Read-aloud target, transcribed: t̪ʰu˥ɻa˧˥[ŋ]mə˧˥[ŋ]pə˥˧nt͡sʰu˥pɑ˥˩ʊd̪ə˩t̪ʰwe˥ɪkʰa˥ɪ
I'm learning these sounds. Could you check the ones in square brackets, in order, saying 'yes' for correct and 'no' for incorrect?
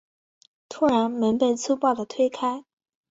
no, no

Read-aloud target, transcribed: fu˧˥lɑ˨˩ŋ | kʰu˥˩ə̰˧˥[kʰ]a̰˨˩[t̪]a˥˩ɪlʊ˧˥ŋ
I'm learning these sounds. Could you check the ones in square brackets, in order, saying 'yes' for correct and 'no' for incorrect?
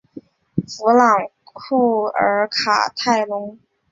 yes, no

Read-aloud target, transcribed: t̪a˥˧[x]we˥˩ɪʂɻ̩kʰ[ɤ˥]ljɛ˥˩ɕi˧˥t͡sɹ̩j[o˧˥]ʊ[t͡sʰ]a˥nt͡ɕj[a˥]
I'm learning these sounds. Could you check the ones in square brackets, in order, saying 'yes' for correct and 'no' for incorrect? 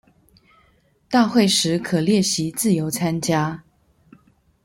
yes, no, yes, yes, yes

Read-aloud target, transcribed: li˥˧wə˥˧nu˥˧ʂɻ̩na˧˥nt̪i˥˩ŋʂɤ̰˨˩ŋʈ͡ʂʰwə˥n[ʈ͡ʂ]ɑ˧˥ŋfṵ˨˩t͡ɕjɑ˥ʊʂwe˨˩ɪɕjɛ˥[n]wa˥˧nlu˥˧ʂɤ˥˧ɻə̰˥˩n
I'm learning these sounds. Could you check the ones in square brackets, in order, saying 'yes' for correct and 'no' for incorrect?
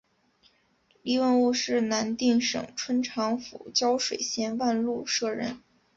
no, yes

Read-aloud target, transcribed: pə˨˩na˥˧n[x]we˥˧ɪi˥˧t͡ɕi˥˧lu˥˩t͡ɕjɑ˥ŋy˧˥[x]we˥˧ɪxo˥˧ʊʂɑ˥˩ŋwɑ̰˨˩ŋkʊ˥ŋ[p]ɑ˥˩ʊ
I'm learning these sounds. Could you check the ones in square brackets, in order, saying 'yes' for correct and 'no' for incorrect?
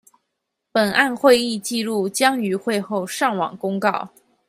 yes, yes, no

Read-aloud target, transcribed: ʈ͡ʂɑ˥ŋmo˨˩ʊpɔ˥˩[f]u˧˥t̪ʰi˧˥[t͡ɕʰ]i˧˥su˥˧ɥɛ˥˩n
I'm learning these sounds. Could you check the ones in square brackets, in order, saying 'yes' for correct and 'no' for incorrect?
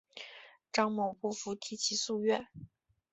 yes, yes

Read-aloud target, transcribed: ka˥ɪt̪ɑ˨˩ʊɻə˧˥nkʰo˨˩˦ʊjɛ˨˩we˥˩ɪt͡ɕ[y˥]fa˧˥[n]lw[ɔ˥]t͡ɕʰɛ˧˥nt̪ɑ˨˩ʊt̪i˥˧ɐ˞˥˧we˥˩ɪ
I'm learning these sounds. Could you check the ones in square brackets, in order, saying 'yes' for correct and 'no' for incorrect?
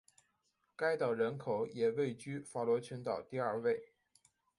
yes, no, no

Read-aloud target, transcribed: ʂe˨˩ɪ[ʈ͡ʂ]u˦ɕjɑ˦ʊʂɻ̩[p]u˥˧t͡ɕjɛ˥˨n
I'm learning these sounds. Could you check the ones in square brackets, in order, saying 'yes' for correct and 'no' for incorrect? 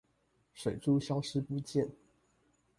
yes, yes

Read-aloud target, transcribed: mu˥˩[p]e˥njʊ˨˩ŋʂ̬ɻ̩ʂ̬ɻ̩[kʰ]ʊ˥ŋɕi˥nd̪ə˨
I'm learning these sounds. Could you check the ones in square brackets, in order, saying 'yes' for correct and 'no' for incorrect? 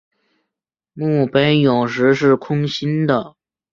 yes, yes

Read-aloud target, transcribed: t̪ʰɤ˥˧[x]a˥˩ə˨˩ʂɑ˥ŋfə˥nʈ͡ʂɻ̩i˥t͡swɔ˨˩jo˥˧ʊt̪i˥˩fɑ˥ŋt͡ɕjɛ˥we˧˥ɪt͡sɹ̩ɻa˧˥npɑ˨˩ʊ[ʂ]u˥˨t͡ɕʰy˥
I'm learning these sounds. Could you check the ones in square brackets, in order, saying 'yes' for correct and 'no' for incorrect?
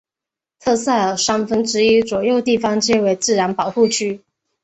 no, no

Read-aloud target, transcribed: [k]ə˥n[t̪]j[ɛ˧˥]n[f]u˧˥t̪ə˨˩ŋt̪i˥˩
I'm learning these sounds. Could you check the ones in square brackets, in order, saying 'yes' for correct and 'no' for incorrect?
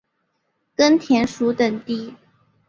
yes, no, yes, no

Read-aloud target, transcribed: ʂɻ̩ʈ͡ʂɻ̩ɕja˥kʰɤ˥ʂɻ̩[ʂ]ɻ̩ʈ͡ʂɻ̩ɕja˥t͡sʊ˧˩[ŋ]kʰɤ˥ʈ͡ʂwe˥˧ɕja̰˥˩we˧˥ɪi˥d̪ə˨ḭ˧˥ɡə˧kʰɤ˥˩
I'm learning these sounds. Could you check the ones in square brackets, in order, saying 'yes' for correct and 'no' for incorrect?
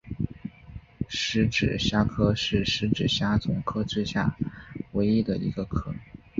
yes, yes

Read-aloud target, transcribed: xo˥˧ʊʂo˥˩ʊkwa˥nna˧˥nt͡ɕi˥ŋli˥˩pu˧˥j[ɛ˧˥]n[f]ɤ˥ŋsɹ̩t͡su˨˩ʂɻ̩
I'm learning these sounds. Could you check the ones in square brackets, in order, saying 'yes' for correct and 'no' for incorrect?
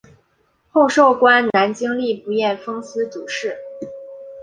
no, yes

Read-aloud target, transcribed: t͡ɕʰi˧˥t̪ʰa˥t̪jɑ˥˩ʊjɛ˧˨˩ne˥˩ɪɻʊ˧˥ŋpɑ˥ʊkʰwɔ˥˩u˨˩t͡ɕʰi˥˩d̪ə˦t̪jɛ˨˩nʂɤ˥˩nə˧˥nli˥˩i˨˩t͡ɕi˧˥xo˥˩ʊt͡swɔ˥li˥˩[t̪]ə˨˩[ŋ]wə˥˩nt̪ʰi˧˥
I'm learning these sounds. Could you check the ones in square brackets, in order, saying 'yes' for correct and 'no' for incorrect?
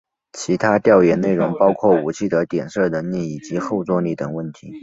yes, yes

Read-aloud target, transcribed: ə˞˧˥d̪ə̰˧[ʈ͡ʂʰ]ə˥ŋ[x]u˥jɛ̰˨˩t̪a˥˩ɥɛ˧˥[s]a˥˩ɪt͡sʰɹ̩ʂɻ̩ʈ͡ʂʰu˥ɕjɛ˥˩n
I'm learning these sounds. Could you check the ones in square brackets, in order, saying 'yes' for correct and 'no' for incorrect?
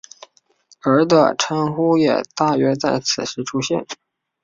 yes, yes, no

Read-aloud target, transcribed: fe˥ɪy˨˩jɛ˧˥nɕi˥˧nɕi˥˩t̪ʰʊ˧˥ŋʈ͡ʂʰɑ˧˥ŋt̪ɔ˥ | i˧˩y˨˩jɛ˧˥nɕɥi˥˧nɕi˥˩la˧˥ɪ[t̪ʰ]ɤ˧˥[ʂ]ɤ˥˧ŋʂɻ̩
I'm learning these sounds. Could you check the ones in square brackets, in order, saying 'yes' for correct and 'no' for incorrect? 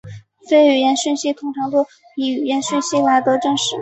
no, no

